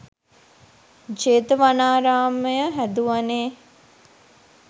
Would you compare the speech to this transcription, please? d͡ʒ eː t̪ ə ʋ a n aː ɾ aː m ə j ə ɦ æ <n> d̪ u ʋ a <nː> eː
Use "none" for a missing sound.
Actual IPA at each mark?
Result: none, n

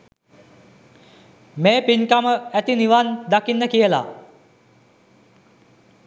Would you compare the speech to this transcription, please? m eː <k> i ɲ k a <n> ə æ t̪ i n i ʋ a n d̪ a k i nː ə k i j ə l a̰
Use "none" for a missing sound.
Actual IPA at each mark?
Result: p, m

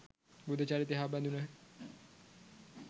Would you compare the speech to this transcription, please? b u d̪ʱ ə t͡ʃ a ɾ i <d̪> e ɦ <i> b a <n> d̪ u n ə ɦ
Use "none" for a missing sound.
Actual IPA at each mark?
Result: t̪, a, n

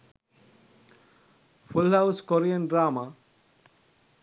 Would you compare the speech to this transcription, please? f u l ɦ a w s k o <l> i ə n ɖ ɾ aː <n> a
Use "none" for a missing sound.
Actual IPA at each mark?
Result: ɾ, m

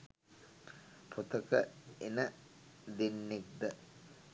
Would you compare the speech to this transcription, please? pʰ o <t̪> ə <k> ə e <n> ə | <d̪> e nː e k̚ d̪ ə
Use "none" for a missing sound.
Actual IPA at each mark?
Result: t̪, k, n, d̪

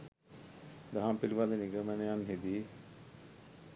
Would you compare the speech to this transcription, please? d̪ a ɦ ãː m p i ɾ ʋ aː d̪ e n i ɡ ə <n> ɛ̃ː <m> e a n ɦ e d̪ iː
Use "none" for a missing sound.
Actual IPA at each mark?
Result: m, n

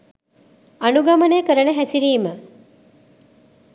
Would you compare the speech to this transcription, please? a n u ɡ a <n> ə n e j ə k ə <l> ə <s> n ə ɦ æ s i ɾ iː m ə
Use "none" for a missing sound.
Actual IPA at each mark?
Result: m, ɾ, none

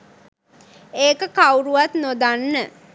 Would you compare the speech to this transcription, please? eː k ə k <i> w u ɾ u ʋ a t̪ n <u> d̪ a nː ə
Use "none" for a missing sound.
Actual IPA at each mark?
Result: a, o

